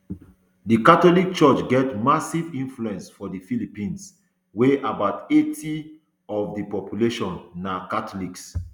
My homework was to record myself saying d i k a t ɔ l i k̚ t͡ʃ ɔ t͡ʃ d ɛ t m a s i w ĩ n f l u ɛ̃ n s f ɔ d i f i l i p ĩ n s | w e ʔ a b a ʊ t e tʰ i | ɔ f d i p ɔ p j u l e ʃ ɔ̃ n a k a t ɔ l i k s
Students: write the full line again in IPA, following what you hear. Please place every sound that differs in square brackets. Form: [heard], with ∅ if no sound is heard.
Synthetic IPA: d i k a t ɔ l i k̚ t͡ʃ ɔ t͡ʃ [ɡ] ɛ t m a s i [v] ĩ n f l u ɛ̃ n s f ɔ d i f i l i p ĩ n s | w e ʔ a b a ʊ t e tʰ i | ɔ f d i p ɔ p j u l e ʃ ɔ̃ [nː] a k a t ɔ l i k s